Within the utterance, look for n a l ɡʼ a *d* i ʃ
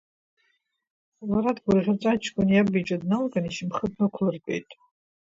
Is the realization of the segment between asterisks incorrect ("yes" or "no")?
yes